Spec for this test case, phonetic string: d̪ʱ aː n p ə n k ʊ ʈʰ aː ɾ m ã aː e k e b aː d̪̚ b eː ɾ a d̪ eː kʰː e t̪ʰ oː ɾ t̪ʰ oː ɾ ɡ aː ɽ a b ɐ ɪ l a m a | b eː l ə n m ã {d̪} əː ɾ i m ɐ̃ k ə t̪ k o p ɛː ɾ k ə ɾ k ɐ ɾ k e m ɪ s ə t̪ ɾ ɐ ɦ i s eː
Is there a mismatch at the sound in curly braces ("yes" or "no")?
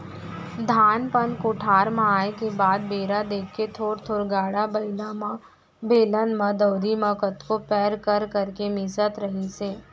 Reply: no